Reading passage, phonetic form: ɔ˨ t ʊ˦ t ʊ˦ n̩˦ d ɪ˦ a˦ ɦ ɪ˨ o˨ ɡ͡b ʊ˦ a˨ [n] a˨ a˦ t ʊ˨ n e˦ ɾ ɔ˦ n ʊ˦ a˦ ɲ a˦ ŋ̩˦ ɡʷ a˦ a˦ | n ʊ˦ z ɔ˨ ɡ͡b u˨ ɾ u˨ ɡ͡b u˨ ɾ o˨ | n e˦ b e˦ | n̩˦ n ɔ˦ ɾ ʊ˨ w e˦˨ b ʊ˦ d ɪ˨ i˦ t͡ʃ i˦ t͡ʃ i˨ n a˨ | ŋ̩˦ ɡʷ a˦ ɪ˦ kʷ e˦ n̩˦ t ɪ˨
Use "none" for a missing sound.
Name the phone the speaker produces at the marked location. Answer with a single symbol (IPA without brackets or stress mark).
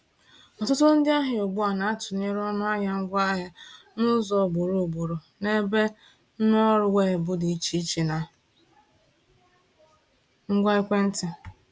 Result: n